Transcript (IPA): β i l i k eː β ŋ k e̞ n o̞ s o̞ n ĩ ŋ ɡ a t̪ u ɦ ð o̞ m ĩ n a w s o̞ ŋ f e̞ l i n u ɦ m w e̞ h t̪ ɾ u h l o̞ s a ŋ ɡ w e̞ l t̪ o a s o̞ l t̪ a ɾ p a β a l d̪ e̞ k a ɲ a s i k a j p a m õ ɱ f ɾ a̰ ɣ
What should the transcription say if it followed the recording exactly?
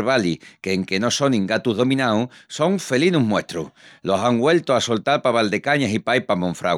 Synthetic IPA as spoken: β a l i k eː ŋ k e̞ n o̞ s o̞ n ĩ ŋ ɡ a t̪ u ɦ ð o̞ m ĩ n a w s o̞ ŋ f e̞ l i n u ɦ m w e̞ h t̪ ɾ u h l o̞ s a ŋ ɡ w e̞ l t̪ o a s o̞ l t̪ a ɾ p a β a l d̪ e̞ k a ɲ a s i p a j p a m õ ɱ f ɾ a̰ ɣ